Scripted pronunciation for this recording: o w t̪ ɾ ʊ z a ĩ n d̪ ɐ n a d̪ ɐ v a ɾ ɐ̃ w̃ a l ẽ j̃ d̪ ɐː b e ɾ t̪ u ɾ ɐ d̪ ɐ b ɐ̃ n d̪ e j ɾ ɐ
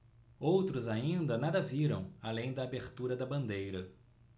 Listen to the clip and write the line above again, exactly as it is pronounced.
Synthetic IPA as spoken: o w t̪ ɾ ʊ z a ĩ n d̪ ɐ n a d̪ ɐ v i ɾ ɐ̃ w̃ a l ẽ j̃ d̪ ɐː b e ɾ t̪ u ɾ ɐ d̪ ɐ b ɐ̃ n d̪ e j ɾ ɐ